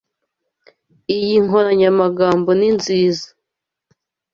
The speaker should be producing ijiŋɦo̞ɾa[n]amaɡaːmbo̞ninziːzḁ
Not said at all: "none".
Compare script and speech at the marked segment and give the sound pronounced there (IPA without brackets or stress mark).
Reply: ɲ